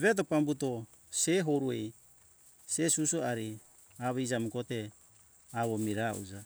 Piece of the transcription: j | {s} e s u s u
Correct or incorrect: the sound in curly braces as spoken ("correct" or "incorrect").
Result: correct